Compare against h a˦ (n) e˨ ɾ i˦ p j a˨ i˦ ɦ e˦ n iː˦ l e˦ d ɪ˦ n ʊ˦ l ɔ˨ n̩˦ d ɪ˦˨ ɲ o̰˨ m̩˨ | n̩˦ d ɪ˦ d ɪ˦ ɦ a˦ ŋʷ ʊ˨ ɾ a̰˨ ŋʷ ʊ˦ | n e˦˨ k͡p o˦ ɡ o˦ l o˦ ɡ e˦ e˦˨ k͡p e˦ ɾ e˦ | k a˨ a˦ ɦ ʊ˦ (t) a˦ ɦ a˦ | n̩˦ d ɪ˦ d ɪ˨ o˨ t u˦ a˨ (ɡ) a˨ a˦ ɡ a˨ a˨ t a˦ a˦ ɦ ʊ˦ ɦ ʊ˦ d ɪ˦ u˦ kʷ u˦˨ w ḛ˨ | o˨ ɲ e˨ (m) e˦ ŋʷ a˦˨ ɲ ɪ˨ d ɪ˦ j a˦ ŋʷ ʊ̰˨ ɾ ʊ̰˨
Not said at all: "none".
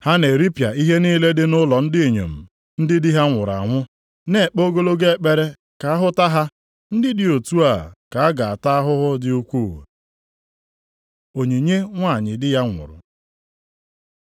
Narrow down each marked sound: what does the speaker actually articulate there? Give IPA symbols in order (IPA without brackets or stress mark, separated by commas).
n, t, k, ɲ